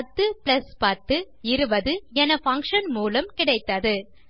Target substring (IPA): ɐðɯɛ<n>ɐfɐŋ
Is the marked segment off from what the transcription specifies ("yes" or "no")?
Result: no